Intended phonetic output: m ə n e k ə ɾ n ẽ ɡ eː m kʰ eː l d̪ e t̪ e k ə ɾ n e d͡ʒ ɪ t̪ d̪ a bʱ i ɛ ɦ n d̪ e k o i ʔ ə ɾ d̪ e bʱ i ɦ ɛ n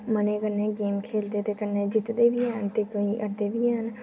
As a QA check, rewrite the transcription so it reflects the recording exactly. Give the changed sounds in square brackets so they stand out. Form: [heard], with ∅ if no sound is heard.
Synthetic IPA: m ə n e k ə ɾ n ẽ ɡ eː m kʰ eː l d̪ e t̪ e k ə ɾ n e d͡ʒ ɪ t̪ d̪ [e] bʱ i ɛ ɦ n [t̪] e k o i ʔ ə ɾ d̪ e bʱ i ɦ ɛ n